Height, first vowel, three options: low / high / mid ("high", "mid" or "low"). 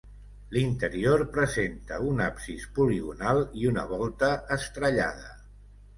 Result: high